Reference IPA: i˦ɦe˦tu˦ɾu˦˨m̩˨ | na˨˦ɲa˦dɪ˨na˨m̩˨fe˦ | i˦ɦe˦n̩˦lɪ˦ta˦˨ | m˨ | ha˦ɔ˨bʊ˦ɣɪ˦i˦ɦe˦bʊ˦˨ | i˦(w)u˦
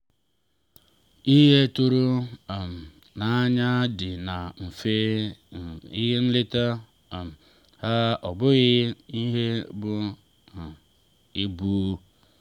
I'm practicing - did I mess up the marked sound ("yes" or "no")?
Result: yes